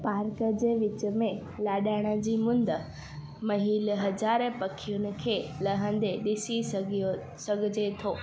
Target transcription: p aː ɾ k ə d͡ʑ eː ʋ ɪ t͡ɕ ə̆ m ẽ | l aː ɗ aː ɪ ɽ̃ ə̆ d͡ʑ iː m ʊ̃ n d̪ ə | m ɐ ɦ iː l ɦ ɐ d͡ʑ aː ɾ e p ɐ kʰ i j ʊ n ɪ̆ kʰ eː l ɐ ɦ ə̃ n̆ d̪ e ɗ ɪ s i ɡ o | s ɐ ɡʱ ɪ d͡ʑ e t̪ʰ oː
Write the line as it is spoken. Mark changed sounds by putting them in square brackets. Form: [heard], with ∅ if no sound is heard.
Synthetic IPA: p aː ɾ k ə d͡ʑ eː ʋ ɪ t͡ɕ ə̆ m ẽ | l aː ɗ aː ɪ ɽ̃ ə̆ d͡ʑ iː m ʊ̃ n d̪ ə | m ɐ ɦ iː l ɦ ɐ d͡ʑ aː ɾ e p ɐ kʰ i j ʊ n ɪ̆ kʰ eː l ɐ ɦ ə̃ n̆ d̪ e ɗ ɪ s i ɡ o | s ɐ ɡʱ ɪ d͡ʑ e t̪ʰ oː